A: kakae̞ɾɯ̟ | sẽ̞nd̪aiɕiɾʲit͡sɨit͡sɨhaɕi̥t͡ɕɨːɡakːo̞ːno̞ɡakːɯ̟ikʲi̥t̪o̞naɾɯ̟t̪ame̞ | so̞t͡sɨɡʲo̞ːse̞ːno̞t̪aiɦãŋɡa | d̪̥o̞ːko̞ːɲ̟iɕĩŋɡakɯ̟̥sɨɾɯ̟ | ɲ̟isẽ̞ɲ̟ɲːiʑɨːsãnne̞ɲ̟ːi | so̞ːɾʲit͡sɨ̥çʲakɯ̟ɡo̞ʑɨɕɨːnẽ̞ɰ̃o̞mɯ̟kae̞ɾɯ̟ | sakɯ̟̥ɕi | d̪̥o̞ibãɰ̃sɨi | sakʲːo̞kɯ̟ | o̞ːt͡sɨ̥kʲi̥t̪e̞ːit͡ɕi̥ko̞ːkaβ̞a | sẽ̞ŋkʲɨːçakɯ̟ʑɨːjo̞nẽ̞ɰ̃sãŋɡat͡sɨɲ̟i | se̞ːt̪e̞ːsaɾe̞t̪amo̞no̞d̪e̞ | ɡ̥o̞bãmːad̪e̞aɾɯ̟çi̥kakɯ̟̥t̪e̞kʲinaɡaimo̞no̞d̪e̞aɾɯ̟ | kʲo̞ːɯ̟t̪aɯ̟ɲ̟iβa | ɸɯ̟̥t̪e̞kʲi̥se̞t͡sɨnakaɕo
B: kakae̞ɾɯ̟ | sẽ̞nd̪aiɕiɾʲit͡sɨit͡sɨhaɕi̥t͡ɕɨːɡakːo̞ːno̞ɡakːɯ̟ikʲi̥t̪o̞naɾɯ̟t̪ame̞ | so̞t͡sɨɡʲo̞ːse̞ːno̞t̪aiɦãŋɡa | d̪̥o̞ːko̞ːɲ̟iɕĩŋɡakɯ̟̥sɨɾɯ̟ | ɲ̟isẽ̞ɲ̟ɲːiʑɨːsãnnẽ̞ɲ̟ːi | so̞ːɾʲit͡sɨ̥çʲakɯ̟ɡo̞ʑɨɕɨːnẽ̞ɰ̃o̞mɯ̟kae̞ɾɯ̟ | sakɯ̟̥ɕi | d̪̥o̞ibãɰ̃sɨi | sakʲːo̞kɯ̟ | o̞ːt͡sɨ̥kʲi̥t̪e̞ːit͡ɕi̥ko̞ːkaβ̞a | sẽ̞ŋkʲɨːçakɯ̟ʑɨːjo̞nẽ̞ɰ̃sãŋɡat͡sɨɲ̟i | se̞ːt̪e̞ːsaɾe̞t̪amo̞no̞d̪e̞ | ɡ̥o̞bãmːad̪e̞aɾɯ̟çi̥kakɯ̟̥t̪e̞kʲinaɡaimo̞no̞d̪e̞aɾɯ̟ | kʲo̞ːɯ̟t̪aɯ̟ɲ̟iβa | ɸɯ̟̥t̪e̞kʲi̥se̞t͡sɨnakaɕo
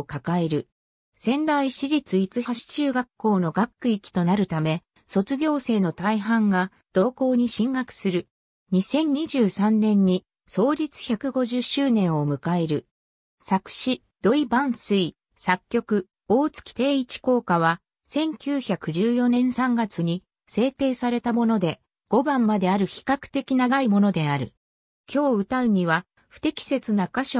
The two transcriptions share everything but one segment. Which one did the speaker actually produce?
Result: B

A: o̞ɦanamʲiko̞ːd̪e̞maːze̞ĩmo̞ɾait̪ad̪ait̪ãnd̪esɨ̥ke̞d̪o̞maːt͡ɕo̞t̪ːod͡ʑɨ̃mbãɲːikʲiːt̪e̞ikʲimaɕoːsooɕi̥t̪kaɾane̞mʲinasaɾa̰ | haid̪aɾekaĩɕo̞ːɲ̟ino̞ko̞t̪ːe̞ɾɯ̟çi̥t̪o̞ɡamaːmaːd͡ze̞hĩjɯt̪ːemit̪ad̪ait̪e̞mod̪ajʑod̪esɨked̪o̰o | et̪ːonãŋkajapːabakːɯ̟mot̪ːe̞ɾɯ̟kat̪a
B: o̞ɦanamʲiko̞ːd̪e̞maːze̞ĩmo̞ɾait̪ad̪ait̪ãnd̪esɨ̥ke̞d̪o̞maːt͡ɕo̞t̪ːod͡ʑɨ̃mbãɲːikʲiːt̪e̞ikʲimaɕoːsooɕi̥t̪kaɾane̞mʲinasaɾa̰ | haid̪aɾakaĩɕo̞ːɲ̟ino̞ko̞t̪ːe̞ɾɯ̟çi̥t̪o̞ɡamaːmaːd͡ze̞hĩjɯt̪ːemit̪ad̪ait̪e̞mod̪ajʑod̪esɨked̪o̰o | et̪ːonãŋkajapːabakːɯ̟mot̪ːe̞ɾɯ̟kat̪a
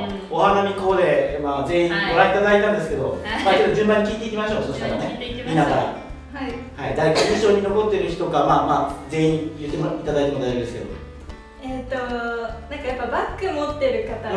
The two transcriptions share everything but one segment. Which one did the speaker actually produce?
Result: A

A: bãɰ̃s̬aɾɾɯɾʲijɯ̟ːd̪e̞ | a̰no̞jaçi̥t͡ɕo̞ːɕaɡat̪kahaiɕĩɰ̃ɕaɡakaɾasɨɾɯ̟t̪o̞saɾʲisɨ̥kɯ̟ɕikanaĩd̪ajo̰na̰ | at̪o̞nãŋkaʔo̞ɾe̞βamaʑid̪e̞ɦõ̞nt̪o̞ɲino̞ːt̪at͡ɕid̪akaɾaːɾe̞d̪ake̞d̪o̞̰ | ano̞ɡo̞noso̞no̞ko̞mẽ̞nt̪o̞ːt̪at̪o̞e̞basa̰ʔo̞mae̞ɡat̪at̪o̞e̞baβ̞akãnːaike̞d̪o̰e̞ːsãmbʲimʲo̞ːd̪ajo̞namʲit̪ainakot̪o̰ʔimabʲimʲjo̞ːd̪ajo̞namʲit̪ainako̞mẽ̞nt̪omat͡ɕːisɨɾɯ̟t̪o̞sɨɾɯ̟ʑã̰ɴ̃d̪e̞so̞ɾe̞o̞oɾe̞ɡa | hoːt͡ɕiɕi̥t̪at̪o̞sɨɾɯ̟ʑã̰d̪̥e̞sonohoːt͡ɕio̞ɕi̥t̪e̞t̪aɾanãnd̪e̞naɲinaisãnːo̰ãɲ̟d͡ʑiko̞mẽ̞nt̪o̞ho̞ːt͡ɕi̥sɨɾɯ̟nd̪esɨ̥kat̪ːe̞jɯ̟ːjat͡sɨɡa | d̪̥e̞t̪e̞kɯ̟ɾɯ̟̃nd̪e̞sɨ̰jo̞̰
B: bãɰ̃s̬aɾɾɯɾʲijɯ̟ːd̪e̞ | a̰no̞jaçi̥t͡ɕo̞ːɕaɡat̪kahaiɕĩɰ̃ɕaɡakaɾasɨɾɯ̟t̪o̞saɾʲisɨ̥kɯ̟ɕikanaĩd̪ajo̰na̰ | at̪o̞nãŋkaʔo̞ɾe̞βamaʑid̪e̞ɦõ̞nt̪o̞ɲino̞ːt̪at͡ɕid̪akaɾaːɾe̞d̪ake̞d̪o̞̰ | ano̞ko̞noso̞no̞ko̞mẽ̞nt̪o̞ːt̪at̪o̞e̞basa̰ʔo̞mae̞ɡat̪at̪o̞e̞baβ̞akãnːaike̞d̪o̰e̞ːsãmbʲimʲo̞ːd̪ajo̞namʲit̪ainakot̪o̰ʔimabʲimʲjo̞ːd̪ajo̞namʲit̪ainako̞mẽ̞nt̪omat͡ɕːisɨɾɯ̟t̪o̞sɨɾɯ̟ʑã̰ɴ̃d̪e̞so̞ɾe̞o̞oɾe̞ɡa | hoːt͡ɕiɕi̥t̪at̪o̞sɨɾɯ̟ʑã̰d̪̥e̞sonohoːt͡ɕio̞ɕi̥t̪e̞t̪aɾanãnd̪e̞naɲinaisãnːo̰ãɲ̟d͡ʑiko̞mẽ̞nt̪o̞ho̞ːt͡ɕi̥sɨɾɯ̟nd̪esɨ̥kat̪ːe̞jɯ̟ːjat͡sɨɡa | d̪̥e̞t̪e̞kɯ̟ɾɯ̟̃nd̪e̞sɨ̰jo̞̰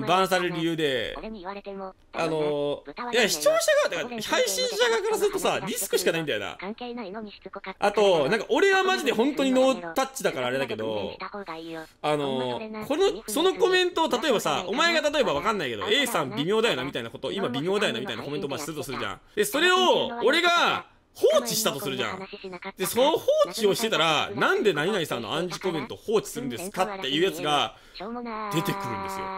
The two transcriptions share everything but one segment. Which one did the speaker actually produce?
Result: B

